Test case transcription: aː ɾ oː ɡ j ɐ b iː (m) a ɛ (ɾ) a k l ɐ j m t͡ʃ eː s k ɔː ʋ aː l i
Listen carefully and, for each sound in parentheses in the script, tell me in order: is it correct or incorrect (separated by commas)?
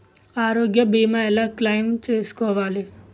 correct, incorrect